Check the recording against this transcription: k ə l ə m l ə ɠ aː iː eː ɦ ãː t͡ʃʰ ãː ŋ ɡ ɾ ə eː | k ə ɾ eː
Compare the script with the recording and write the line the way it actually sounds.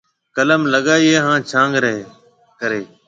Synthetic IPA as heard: k ə l ə m l ə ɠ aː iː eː ɦ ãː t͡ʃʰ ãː ŋ ɡ ɾ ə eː | k ə ɾ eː